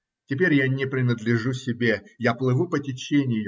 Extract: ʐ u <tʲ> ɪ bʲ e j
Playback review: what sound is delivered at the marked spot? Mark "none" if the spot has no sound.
sʲ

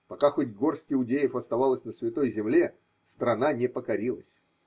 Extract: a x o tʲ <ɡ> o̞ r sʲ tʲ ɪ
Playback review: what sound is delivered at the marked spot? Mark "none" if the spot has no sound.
ɡ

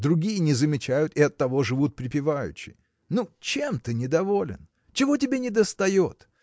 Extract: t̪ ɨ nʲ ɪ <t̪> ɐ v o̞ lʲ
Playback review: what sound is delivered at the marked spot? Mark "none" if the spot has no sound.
d̪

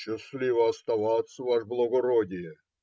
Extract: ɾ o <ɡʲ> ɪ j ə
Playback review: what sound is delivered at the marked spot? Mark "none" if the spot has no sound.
dʲ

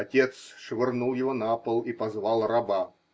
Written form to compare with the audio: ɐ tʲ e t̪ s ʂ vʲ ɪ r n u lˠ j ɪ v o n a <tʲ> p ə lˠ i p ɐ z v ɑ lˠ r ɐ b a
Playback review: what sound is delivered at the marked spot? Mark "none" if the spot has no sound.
none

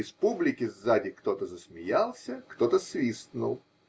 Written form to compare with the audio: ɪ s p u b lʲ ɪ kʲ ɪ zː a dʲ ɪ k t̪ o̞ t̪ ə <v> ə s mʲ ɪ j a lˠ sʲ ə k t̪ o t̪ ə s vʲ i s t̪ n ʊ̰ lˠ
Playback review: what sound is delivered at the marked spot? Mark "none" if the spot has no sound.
z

